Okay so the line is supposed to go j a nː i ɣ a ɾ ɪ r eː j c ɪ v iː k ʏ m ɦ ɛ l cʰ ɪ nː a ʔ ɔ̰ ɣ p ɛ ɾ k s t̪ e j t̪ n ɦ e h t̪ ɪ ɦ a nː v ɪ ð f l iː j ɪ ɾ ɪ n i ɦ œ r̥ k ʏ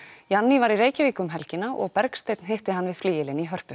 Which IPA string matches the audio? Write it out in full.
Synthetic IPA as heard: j a nː i v a ɾ i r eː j c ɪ v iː k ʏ m ɦ ɛ l c ɪ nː a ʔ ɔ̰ ɣ p ɛ ɾ k s t̪ e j t̪ n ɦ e h t̪ ɪ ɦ a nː v ɪ ð f l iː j ɪ l ɪ n i ɦ œ r̥ p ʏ